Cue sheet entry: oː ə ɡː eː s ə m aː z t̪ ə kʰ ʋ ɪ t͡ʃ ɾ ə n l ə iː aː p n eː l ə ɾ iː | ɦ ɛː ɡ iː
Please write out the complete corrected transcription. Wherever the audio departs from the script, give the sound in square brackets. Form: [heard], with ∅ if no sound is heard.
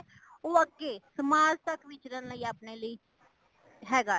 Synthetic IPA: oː ə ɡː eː s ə m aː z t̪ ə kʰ ʋ ɪ t͡ʃ ɾ ə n l ə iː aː p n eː l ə [∅] iː | ɦ ɛː ɡ [aː]

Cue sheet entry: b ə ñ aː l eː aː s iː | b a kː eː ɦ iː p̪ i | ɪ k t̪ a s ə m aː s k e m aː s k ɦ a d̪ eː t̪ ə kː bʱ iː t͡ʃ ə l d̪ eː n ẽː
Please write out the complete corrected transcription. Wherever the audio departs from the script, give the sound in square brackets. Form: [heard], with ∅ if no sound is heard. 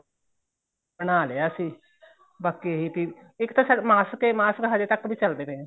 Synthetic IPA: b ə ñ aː l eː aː s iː | b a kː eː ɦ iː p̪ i | ɪ k t̪ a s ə m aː s k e m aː s k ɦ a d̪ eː t̪ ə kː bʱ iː t͡ʃ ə l d̪ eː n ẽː

